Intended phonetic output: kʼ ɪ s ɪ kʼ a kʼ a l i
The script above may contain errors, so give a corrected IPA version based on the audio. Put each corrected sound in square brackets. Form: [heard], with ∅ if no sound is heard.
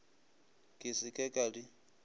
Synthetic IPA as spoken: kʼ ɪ s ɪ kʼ [ɛ] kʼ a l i